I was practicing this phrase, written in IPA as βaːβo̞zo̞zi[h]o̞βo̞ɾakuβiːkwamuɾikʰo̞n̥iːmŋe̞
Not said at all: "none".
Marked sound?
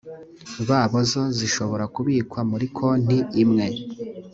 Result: ʃ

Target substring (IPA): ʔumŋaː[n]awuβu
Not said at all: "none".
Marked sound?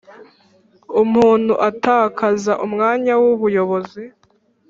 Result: ɲ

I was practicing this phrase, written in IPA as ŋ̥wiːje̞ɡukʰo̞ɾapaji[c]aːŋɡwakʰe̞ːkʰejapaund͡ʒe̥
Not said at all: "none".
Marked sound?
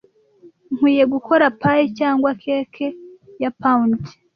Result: c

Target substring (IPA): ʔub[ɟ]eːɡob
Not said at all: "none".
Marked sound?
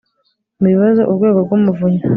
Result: ɡ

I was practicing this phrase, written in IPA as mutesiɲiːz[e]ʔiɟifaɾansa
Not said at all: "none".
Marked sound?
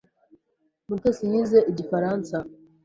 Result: e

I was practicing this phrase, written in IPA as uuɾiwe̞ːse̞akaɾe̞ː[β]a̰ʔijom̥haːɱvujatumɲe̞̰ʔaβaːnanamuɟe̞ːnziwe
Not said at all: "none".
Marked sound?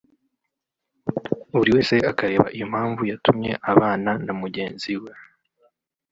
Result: β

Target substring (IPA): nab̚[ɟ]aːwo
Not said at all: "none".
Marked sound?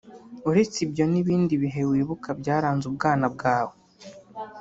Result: ɡ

